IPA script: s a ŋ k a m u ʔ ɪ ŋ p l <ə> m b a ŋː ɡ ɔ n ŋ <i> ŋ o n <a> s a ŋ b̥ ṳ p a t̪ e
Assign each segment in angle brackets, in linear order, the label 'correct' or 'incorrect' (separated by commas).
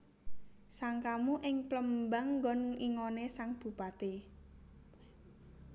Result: correct, correct, incorrect